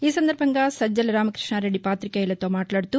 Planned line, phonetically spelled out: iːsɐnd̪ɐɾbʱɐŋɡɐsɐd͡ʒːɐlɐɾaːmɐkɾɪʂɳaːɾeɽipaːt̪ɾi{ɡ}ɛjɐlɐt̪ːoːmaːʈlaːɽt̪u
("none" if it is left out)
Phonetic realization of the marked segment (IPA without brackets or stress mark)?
k